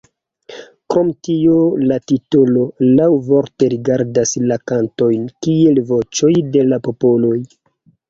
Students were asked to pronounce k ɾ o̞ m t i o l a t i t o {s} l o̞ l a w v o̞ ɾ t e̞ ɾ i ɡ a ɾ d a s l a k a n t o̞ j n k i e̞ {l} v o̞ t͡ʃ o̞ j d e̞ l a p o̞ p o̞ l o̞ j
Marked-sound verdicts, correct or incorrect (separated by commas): incorrect, correct